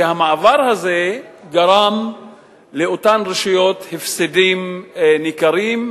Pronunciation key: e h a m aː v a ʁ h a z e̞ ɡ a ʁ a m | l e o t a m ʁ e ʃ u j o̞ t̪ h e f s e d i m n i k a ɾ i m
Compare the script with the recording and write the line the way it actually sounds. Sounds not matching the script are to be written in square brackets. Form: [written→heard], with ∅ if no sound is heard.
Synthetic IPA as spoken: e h a m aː v a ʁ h a z e̞ ɡ a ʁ a m | l e o t a [m→n] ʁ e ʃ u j o̞ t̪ h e f s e d i m n i k a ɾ i m

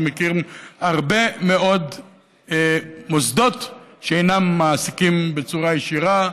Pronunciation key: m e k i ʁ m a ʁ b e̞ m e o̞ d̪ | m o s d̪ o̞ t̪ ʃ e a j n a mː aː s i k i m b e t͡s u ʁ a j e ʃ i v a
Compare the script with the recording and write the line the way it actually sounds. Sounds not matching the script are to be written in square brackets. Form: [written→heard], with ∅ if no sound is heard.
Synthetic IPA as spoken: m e k i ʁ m a ʁ b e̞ m e o̞ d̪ | m o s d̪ o̞ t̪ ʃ e [a→e] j n a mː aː s i k i m b e t͡s u ʁ a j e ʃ i [v→ʁ] a

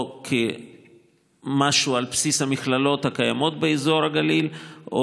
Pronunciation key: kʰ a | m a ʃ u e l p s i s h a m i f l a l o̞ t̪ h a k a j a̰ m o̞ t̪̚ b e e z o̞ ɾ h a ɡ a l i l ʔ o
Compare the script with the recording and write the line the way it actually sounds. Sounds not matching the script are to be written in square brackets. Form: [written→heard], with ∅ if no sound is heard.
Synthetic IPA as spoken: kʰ [a→e] | m a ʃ u [e→a] l p s i s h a m i [f→χ] l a l o̞ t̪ h a k a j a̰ m o̞ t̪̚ b e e z o̞ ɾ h a ɡ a l i l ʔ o

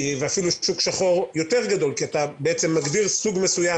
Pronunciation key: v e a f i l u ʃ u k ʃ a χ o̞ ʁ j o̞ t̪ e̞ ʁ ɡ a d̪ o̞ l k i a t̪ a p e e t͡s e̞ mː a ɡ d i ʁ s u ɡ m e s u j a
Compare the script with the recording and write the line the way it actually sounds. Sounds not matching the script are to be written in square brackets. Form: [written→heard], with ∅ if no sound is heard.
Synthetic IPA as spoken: v e a f i l u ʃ u k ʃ a χ o̞ ʁ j o̞ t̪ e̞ ʁ ɡ a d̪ o̞ l k i a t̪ a [p→b] e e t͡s e̞ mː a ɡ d i ʁ s u ɡ m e s u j a

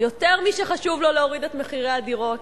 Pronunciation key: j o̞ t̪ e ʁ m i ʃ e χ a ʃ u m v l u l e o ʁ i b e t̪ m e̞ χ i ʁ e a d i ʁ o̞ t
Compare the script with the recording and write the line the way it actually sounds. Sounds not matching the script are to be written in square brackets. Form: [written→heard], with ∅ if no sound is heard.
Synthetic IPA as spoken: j o̞ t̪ e ʁ m i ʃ e χ a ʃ u [m→∅] v l [u→o] l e o ʁ i [b→d] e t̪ m e̞ χ i ʁ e a d i ʁ o̞ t

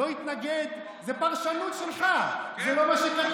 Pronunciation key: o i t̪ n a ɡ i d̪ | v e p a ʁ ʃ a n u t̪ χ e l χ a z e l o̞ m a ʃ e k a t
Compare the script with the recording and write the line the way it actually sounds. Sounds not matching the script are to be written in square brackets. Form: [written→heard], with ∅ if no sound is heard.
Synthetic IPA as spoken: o i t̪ n a ɡ [i→e] d̪ | [v→z] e p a ʁ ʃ a n u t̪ [χ→ʃ] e l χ a z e l o̞ m a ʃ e k a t

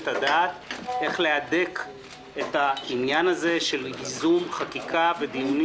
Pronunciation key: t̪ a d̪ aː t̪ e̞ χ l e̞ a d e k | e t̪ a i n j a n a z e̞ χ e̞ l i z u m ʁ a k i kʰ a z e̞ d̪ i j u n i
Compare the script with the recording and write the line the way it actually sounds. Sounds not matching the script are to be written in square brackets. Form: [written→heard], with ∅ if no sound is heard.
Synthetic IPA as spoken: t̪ a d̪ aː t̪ e̞ χ l e̞ a d e k | e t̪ a i n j a n a z e̞ [χ→ʃ] e̞ l i z u m [ʁ→χ] a k i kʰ a [z→v] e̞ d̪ i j u n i

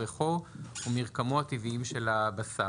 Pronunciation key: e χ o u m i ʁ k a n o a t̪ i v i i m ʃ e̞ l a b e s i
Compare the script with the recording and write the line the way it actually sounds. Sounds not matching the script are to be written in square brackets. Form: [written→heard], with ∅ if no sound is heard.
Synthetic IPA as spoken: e χ o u m i ʁ k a [n→m] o a t̪ i v i i m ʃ e̞ l a b [e→a] s [i→a]

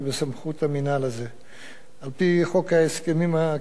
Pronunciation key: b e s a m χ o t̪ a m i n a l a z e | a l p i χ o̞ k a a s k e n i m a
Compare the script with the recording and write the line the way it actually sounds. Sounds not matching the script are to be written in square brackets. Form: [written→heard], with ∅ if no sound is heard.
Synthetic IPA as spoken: b e s a m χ [o→u] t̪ a m i n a l a z e | a l p i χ o̞ k a [a→e] s k e [n→m] i m a

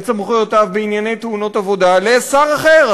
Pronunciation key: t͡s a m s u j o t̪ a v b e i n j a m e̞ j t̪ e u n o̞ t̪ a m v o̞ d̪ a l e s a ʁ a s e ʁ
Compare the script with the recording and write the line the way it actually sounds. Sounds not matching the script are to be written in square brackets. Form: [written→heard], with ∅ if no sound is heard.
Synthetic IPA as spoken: t͡s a m [s→χ] u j o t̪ a v b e i n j a [m→n] e̞ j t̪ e u n o̞ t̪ a [m→∅] v o̞ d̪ a l e s a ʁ a [s→χ] e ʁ

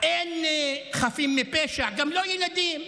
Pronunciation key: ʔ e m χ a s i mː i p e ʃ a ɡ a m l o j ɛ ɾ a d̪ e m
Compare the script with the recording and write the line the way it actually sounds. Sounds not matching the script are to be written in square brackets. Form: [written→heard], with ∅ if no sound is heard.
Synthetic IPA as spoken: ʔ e [m→n] χ a [s→f] i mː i p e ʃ a ɡ a m l o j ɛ [ɾ→l] a d̪ [e→i] m

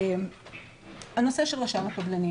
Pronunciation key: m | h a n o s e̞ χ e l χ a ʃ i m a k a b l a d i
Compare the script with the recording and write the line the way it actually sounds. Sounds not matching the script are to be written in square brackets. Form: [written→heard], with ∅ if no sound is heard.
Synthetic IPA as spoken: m | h a n o s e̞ [χ→ʃ] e l [χ→ʁ] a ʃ [i→a] m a k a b l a [d→n] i

